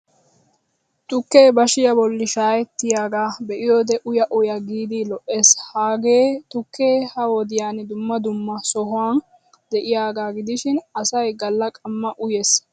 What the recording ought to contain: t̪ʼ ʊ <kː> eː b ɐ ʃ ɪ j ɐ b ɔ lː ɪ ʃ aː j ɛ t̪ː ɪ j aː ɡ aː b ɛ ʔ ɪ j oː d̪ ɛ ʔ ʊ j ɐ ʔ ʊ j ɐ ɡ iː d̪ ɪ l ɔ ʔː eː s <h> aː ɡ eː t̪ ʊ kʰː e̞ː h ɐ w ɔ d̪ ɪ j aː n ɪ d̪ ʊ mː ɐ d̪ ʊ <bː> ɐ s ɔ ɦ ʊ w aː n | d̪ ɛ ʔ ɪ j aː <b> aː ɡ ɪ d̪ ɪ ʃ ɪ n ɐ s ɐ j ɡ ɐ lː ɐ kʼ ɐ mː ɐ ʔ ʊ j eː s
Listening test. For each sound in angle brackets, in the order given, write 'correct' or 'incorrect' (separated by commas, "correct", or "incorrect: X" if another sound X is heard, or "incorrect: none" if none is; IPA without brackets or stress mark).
correct, correct, incorrect: mː, incorrect: ɡ